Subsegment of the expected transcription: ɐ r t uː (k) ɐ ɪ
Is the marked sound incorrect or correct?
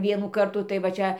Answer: incorrect